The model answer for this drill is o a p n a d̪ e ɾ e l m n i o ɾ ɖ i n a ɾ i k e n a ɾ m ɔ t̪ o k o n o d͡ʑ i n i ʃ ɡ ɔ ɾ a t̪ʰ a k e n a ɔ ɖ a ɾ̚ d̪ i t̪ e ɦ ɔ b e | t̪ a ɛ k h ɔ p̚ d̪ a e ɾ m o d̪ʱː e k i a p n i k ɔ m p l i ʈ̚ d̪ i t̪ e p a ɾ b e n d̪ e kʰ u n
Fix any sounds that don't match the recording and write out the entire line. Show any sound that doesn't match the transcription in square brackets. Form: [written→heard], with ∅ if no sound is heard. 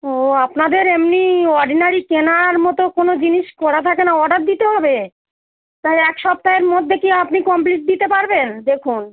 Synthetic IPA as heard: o a p n a d̪ e ɾ e [l→∅] m n i [o→ɔ] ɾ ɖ i n a ɾ i k e n a ɾ m ɔ t̪ o k o n o d͡ʑ i n i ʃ [ɡ→k] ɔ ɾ a t̪ʰ a k e n a ɔ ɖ a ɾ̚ d̪ i t̪ e ɦ ɔ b e | t̪ a ɛ k [h→ʃ] ɔ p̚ [d̪→t̪] a e ɾ m o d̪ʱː e k i a p n i k ɔ m p l i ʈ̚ d̪ i t̪ e p a ɾ b e n d̪ e kʰ u n

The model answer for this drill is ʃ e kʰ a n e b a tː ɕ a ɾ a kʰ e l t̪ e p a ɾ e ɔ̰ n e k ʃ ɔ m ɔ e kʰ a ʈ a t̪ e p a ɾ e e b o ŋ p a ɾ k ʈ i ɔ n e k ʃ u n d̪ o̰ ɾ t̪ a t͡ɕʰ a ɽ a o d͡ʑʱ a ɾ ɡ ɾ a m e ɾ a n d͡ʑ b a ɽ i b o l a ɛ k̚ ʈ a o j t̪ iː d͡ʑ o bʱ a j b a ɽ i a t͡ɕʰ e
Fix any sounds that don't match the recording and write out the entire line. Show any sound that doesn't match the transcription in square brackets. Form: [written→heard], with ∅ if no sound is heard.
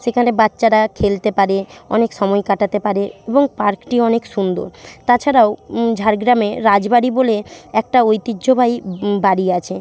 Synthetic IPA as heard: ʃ e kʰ a n e b a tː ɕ a ɾ a kʰ e l t̪ e p a ɾ e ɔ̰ n e k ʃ ɔ m ɔ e [kʰ→k] a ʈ a t̪ e p a ɾ e e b o ŋ p a ɾ k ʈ i ɔ n e k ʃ u n d̪ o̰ ɾ t̪ a t͡ɕʰ a [ɽ→ɾ] a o d͡ʑʱ a ɾ ɡ ɾ a m e ɾ a [n→∅] d͡ʑ b a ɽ i b o l [a→e] ɛ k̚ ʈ a o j t̪ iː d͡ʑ o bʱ a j b a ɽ i a t͡ɕʰ e

